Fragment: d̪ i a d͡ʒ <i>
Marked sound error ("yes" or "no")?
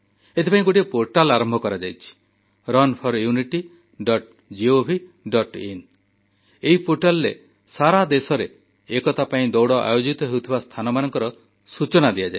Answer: yes